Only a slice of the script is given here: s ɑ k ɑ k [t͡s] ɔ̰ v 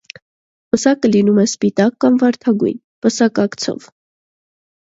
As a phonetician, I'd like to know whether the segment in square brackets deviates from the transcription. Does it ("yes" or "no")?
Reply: yes